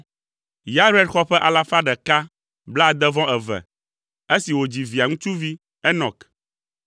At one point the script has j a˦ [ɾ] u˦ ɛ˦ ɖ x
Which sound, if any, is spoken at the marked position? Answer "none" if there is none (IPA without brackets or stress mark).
ɾ